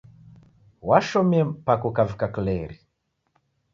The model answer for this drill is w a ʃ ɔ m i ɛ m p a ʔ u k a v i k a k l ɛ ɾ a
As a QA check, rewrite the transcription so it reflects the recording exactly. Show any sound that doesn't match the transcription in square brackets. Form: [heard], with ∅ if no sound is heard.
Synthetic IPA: w a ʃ ɔ m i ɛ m p a [k] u k a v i k a k l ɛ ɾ [i]